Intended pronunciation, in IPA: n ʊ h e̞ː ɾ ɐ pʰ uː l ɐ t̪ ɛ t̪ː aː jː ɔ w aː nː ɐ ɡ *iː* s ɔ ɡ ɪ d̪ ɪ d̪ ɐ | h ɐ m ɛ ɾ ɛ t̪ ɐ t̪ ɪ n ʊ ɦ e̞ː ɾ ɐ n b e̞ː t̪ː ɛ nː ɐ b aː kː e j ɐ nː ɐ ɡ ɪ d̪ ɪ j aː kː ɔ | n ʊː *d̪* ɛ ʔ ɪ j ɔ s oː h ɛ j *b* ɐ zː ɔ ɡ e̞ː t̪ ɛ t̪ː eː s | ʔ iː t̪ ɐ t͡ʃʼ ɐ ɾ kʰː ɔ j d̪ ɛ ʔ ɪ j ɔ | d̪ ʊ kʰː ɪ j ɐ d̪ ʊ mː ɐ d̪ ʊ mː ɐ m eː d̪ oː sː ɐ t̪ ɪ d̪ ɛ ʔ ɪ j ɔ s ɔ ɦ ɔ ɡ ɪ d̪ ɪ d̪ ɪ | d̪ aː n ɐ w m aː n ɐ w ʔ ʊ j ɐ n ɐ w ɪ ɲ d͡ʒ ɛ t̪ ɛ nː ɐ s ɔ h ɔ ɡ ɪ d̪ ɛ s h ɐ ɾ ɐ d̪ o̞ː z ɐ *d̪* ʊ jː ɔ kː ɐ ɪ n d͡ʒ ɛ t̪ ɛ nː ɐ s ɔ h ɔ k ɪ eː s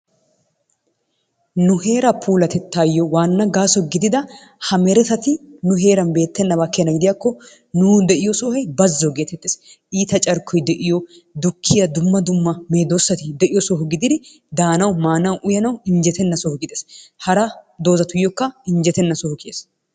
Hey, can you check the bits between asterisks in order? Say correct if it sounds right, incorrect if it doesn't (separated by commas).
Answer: incorrect, correct, correct, incorrect